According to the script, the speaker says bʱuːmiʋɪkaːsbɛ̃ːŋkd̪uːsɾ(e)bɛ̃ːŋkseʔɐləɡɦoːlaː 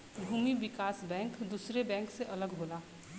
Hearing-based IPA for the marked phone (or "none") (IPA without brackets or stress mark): e